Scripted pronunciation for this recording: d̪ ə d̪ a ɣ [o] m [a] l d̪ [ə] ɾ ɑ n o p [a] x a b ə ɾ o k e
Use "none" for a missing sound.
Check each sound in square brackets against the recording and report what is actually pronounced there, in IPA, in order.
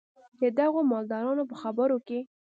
o, ɑ, ɑ, ə

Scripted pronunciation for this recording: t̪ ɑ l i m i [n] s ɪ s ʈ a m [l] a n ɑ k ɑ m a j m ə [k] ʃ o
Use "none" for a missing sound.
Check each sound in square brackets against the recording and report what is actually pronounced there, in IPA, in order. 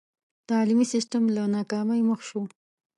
none, l, x

